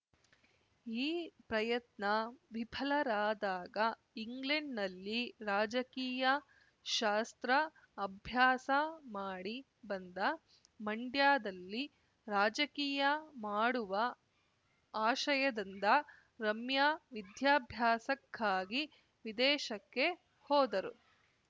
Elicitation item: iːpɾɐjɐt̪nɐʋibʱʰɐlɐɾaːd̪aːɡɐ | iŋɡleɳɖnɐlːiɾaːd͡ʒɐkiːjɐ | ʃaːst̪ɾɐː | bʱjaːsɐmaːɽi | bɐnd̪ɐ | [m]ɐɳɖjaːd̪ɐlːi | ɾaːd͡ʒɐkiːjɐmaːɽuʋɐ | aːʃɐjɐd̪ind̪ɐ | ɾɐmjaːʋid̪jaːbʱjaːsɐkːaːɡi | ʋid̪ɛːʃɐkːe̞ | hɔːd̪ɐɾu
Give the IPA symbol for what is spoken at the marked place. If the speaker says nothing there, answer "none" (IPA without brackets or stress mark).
m